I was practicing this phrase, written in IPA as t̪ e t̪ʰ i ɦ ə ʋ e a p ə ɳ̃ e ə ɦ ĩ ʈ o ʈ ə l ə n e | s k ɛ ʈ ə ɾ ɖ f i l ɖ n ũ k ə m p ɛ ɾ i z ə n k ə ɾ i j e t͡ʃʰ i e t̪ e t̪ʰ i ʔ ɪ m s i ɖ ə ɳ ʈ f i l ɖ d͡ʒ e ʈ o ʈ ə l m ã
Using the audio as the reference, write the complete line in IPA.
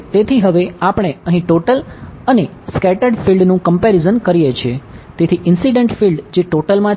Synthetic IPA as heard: t̪ e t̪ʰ i ɦ ə ʋ e a p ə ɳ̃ e ə ɦ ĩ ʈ o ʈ ə l ə n e | s k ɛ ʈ ə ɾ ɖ f i l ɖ n ũ k ə m p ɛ ɾ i z ə n k ə ɾ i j e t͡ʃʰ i e t̪ e t̪ʰ i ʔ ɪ n s i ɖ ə ɳ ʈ f i l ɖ d͡ʒ e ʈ o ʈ ə l m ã